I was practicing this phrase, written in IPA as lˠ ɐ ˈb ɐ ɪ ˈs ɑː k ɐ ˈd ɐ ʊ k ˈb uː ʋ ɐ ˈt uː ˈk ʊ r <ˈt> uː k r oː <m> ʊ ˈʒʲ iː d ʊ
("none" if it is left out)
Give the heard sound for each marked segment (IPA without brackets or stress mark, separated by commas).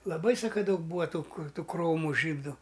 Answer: t, m